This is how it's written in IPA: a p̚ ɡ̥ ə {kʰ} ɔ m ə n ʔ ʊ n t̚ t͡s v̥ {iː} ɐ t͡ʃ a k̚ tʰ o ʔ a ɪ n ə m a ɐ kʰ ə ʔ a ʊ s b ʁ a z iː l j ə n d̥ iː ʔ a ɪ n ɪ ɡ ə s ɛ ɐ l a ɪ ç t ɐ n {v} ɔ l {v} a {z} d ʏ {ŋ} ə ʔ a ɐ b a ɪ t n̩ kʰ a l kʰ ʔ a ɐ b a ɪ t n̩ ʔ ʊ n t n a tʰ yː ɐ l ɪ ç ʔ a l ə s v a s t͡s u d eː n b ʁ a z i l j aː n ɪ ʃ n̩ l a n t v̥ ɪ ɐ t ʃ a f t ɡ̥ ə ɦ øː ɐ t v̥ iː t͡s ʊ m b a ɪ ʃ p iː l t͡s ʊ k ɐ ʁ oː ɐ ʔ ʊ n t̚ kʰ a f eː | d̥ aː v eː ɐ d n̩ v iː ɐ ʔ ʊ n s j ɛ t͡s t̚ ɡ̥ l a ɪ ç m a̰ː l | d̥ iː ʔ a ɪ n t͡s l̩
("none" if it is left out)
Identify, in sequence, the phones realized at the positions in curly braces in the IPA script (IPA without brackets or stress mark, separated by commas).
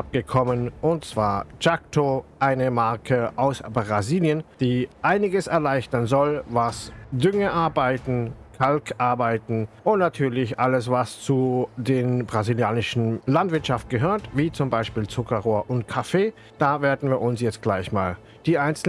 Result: kʰ, aː, z, v, s, ŋ